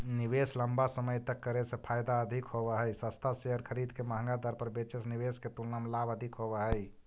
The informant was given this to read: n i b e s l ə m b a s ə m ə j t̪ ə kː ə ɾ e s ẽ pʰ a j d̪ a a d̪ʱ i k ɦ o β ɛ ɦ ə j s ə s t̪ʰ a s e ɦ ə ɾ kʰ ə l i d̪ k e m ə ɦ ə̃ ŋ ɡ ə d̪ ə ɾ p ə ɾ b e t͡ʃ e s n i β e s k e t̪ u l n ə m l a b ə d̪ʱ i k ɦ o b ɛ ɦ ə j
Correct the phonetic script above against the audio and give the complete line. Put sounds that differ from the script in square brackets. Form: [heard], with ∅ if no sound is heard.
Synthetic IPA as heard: n i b e s l ə m b a s ə m ə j t̪ ə kː ə ɾ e s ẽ pʰ a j d̪ a [ə] d̪ʱ i k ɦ o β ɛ ɦ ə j s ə s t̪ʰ a s e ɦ ə ɾ kʰ ə [ɾ] i d̪ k e m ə ɦ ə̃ ŋ ɡ [a] d̪ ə ɾ p ə ɾ b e t͡ʃ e s n i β e s k e t̪ u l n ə m l a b ə d̪ʱ i k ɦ o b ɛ ɦ ə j